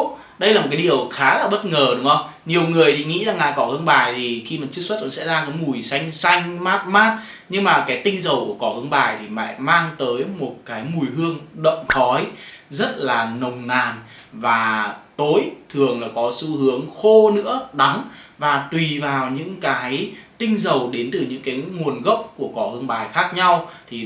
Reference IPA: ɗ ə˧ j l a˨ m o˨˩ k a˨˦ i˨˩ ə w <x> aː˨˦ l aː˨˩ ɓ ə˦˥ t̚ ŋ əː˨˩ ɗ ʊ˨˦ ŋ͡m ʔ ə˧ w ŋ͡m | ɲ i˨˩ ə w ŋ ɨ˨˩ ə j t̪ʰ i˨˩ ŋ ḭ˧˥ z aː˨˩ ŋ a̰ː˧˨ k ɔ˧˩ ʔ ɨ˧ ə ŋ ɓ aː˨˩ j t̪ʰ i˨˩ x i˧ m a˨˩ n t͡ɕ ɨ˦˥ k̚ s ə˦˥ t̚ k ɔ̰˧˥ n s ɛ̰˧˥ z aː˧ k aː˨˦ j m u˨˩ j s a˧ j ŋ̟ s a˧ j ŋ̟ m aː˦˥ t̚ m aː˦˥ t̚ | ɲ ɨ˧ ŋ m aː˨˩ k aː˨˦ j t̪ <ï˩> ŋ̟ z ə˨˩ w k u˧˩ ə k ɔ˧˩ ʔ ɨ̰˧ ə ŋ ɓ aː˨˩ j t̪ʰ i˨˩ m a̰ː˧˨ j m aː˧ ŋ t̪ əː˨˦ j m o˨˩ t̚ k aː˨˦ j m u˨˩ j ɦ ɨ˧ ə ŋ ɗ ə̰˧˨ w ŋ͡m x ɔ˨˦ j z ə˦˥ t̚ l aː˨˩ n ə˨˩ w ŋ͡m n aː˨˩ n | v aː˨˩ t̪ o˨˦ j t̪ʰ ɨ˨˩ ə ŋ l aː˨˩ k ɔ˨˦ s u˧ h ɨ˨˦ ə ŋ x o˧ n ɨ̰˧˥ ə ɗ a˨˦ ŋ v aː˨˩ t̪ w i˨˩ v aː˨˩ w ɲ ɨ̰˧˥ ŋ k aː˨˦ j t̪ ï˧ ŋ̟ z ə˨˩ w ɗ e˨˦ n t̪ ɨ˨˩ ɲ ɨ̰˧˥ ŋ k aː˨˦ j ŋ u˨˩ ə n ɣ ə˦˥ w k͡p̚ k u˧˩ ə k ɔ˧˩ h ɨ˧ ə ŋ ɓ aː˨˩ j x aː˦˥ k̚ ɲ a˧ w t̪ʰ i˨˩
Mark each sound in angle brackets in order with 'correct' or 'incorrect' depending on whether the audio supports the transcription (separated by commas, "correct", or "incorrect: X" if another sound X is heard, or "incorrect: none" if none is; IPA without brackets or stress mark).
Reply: correct, incorrect: ï˧